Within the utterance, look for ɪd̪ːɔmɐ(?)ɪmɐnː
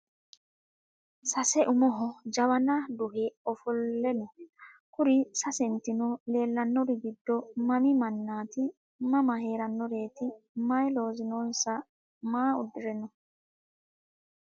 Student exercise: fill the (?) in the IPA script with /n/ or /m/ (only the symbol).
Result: m